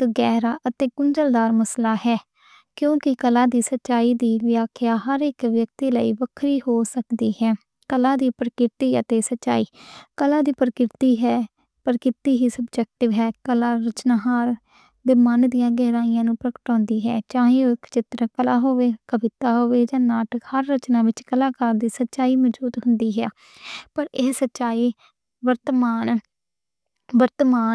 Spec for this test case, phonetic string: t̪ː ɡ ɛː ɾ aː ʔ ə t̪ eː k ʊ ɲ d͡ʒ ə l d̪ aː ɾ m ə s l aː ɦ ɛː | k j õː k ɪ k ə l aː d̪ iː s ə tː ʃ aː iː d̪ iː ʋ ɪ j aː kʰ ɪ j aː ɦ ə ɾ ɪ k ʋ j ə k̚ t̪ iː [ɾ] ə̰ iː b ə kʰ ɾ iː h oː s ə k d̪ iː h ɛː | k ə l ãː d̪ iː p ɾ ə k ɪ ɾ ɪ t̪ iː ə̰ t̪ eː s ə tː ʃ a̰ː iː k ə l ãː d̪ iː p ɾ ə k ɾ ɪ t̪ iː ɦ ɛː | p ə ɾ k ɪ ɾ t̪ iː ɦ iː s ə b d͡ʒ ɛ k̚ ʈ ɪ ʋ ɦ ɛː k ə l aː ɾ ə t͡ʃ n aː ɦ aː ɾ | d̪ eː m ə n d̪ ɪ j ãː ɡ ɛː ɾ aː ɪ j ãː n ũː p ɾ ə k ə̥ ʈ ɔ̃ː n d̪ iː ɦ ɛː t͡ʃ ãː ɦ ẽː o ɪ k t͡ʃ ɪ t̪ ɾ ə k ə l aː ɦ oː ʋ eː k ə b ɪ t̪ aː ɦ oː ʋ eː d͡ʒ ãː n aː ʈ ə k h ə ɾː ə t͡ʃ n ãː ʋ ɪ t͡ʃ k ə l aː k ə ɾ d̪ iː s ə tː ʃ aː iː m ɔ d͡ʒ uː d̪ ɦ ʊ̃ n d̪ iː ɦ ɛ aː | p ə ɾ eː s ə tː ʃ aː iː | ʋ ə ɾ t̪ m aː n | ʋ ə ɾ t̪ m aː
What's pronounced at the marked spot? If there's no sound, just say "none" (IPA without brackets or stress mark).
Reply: l